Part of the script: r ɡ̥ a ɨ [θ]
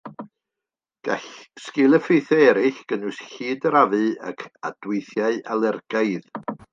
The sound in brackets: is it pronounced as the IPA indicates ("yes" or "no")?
no